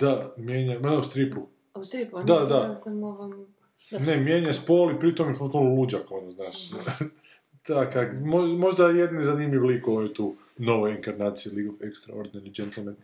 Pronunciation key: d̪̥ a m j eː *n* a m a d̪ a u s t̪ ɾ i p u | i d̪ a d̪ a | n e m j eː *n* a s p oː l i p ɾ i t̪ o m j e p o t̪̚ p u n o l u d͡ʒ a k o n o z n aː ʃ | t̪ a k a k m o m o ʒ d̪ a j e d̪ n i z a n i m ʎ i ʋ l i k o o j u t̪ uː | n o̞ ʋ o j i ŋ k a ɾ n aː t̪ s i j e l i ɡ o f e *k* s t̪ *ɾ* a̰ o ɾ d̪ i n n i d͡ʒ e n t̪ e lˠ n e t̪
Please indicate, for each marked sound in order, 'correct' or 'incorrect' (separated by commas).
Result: incorrect, incorrect, correct, correct